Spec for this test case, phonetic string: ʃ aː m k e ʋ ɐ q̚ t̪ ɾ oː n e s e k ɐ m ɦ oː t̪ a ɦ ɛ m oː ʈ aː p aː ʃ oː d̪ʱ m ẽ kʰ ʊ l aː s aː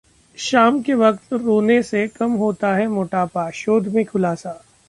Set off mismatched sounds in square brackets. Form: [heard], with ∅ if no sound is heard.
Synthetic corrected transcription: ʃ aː m k e ʋ ɐ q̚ t̪ ɾ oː n e s e k ɐ m ɦ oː t̪ a ɦ ɛ m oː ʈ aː p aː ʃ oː d̪ʱ m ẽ kʰ ʊ l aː s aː